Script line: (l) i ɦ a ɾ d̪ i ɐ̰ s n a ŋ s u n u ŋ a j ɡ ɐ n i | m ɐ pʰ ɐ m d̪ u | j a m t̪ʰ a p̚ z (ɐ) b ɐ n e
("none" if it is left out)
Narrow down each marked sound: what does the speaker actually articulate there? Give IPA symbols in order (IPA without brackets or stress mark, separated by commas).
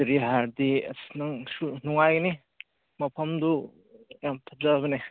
ɾ, a